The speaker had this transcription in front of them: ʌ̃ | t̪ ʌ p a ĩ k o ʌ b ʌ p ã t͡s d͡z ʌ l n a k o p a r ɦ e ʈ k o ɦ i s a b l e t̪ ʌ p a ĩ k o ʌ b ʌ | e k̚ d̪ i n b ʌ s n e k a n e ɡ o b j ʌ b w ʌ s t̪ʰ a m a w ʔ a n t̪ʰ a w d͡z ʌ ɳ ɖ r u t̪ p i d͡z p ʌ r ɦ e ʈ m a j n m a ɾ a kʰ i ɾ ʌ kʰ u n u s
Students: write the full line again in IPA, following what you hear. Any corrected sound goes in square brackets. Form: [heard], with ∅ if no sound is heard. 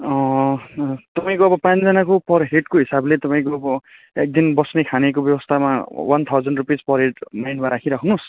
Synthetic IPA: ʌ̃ | t̪ ʌ p a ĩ k o ʌ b ʌ p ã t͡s d͡z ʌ [∅] n a k o p [ʌ] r ɦ e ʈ k o ɦ i s a b l e t̪ ʌ p a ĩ k o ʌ b ʌ | e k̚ d̪ i n b ʌ s n e [kʰ] a n e [k] o b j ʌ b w ʌ s t̪ʰ a m a w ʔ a n t̪ʰ a w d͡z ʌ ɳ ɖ r u [∅] p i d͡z p ʌ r ɦ e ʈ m a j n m a ɾ a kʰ i ɾ ʌ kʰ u n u s